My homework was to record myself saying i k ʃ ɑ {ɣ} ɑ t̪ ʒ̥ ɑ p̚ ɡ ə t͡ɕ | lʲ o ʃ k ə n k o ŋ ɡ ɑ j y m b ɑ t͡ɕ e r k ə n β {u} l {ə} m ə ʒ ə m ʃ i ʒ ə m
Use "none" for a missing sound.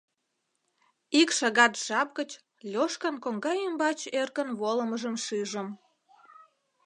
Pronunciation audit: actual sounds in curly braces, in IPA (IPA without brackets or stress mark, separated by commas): ɣ, o, ə